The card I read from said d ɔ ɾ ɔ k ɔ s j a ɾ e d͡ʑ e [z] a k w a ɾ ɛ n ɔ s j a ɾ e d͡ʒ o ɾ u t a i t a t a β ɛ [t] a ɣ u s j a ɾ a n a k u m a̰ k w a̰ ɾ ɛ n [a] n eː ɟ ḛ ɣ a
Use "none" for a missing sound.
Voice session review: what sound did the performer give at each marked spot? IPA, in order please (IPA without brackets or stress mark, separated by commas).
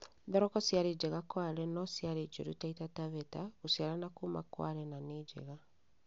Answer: ɣ, t, a